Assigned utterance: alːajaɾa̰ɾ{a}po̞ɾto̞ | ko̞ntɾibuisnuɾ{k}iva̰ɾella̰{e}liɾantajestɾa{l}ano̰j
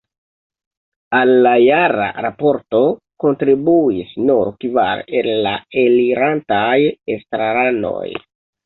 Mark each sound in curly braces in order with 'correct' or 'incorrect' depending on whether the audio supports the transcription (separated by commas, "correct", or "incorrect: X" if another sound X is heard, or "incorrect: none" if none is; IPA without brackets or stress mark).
correct, correct, correct, incorrect: ɾ